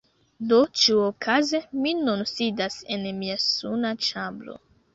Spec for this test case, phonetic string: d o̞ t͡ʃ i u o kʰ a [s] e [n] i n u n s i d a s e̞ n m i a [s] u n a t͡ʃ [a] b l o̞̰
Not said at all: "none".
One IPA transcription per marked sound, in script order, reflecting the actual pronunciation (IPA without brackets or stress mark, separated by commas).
z, m, s, a